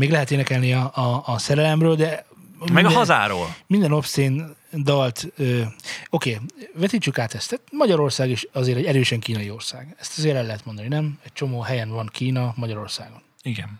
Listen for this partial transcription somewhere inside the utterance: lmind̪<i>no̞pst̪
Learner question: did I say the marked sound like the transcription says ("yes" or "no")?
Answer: no